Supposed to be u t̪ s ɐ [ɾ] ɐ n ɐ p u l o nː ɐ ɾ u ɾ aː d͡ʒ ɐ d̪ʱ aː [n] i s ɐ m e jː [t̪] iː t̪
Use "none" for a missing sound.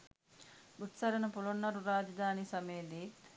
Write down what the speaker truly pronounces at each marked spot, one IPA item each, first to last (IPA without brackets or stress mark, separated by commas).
ɾ, n, d̪